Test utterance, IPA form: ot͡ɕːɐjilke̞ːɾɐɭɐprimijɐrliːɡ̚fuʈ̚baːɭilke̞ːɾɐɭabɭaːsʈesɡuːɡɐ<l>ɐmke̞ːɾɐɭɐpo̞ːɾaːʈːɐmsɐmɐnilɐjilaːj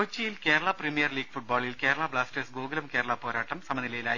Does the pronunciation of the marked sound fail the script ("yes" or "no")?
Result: no